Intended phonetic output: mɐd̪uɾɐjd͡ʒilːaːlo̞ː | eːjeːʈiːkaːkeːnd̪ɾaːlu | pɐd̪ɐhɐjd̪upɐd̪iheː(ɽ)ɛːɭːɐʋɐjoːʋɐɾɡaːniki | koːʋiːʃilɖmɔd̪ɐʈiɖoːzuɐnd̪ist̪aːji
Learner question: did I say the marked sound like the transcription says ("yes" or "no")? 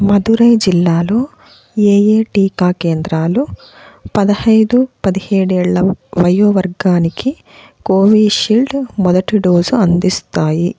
yes